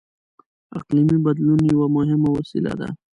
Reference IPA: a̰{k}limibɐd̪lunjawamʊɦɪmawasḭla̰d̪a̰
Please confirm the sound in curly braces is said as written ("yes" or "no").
no